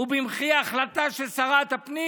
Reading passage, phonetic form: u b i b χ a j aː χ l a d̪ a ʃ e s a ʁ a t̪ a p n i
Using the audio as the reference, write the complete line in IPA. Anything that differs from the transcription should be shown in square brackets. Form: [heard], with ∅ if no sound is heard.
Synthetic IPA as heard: u b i [m] χ [i] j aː χ l a [t̪] a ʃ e s a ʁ a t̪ a p n i